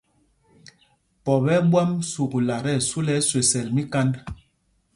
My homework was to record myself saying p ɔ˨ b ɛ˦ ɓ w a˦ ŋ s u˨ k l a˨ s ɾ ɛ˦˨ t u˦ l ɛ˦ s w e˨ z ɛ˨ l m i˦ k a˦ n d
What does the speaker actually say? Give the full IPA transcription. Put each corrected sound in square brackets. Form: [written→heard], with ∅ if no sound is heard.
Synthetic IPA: p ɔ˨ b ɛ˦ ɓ w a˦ [ŋ→m] s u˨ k l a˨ [s→∅] ɾ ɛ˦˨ [t→s] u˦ l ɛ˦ s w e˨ [z→s] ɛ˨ l m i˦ k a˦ n d